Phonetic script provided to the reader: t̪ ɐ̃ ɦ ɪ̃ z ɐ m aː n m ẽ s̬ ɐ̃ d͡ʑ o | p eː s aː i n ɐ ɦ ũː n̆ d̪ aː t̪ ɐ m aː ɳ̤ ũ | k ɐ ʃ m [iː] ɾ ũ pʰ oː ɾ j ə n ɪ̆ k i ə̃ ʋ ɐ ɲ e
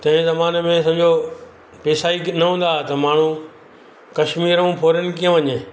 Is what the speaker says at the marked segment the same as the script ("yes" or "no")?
yes